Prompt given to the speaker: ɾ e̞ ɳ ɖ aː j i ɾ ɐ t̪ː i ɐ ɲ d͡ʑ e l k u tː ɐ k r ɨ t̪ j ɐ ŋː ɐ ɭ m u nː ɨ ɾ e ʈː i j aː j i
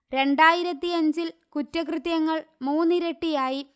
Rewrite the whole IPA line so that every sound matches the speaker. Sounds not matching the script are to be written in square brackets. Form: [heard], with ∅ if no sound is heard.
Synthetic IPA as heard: ɾ e̞ ɳ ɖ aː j i ɾ ɐ t̪ː i ɐ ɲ d͡ʑ [i] l k u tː ɐ k r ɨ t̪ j ɐ ŋː ɐ ɭ m [uː] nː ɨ ɾ e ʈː i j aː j i